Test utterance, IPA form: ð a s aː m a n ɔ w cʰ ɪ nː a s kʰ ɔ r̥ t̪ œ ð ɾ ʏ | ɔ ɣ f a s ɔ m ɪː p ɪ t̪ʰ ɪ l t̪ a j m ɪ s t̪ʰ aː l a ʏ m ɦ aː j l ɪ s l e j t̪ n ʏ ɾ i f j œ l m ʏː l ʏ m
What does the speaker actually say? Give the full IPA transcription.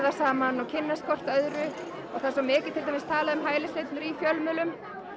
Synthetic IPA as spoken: ð a s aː m a n ɔ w cʰ ɪ nː a s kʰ ɔ r̥ t̪ œ ð ɾ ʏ | ɔ ɣ θ a s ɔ m ɪː c ɪ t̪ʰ ɪ l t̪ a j m ɪ s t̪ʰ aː l a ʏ m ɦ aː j l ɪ s l e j t̪ n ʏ ɾ i f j œ l m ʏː l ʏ m